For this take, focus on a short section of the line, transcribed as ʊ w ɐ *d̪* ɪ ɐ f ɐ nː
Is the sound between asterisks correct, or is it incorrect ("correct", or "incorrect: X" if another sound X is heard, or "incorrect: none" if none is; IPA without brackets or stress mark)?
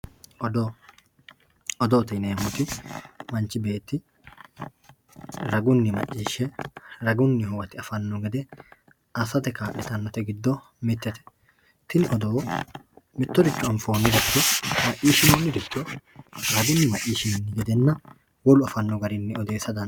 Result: incorrect: t̪